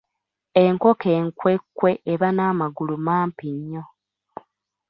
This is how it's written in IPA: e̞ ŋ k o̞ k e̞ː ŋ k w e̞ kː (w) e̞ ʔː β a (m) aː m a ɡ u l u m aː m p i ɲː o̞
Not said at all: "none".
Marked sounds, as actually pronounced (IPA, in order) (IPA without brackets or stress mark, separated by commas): w, n